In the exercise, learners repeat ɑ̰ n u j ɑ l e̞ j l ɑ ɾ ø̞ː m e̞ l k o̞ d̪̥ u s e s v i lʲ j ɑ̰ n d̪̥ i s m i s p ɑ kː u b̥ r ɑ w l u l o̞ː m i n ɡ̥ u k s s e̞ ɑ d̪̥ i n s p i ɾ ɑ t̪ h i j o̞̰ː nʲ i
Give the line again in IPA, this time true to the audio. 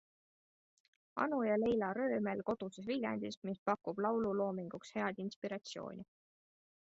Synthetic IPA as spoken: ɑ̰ n u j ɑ l e̞ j l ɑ ɾ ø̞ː m e̞ l k o̞ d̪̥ u s e s v i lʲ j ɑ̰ n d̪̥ i s m i s p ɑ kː u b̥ l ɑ w l u l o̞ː m i ŋ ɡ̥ u k s h e̞ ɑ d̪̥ i n s p i ɾ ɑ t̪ s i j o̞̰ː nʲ i